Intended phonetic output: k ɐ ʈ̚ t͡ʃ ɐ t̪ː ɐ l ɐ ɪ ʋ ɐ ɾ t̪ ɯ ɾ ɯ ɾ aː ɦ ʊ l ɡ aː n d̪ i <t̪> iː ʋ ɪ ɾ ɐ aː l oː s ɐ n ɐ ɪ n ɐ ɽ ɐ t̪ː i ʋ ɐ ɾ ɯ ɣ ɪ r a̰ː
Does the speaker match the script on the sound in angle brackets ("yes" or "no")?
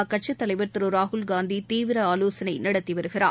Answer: yes